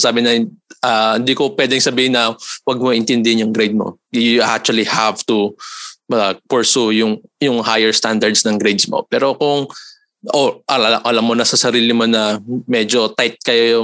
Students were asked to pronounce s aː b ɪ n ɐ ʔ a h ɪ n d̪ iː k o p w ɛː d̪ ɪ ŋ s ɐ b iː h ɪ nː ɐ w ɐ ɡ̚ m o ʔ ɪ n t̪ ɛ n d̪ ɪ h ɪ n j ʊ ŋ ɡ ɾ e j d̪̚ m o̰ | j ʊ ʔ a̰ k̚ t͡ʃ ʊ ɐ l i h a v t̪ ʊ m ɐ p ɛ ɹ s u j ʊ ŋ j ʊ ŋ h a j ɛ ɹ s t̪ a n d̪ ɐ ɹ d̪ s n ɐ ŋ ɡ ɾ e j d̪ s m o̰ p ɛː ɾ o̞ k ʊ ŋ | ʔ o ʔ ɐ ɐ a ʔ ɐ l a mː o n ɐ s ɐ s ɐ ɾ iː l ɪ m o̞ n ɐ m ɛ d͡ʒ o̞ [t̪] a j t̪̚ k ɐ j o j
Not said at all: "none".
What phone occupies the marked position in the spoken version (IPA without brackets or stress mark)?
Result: t̪